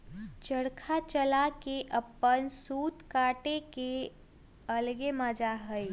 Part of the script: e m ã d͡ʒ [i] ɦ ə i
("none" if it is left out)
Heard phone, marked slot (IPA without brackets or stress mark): a